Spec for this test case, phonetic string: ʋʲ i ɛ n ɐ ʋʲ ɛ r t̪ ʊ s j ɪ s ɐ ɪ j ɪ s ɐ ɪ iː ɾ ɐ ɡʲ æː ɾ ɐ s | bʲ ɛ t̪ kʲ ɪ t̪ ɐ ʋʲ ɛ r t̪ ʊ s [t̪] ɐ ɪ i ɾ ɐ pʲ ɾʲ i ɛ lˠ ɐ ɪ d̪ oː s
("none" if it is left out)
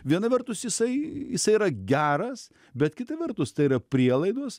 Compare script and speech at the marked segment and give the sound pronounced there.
t̪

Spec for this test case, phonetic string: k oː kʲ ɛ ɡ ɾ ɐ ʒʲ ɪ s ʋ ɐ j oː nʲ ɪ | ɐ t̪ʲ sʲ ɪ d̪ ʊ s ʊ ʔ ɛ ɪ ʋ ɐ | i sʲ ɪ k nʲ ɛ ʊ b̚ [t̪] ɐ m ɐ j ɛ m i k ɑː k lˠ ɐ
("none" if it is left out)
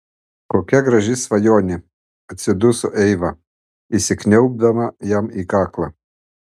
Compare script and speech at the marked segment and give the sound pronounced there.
d̪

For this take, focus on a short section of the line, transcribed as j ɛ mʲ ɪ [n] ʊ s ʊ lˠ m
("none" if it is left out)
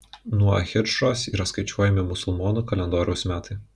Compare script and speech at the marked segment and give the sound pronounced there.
m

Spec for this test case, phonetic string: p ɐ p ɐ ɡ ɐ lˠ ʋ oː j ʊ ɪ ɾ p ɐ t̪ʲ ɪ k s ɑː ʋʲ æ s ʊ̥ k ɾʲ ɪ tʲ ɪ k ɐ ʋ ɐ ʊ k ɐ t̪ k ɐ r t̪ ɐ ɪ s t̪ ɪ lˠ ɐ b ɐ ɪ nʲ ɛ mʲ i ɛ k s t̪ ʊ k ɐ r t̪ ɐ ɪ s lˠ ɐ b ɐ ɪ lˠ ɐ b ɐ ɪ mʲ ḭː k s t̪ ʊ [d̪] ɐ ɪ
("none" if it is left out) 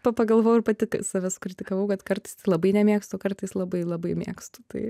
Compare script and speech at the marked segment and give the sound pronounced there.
t̪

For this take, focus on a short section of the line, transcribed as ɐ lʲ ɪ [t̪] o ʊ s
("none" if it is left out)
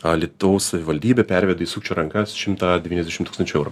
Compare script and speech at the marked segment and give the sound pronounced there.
t̪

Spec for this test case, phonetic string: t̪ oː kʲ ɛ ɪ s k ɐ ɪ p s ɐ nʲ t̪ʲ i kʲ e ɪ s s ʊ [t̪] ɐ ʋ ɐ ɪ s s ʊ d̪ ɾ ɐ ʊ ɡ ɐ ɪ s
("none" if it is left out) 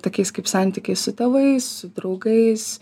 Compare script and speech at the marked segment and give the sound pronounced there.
t̪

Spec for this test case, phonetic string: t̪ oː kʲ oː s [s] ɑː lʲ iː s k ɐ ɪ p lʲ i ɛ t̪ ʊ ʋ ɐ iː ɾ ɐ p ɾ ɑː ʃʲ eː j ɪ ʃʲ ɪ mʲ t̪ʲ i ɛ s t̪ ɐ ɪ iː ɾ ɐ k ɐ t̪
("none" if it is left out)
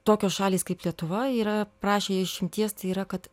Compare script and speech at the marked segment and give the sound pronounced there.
ʃ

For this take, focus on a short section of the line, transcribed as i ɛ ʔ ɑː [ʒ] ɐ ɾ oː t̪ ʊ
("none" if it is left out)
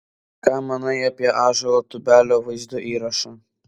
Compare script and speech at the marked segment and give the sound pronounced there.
ʒ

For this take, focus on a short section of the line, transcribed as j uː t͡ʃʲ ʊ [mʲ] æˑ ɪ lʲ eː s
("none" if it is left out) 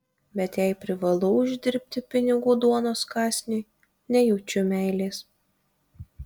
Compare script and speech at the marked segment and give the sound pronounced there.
mʲ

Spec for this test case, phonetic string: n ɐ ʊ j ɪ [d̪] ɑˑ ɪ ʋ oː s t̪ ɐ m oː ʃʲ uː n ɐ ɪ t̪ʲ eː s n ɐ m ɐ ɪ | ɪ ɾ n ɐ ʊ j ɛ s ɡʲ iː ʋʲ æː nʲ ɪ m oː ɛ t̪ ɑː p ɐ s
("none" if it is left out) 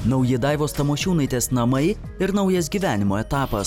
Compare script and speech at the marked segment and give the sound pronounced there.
d̪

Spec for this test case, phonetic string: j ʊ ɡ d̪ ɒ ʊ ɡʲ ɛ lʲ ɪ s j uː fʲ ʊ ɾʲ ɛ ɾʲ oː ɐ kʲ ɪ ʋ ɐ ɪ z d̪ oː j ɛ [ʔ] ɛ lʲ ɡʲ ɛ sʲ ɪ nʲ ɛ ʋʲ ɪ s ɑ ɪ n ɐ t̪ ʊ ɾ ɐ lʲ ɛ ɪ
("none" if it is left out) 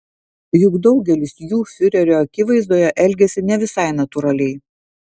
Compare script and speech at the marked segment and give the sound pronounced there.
ʔ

